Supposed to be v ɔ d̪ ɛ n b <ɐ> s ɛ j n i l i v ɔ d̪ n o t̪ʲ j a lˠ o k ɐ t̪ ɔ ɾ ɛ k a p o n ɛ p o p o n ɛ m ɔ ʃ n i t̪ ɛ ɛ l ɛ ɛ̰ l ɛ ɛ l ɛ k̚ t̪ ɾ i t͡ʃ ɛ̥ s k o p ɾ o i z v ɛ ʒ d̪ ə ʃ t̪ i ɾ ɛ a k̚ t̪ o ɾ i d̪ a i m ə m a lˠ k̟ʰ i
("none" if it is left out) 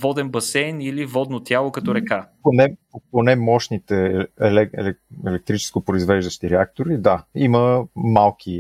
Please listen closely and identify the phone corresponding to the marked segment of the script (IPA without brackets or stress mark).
ɐ